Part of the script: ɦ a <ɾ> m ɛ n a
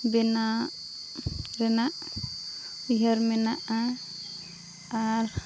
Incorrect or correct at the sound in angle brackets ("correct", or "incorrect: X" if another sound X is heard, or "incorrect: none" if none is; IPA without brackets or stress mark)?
correct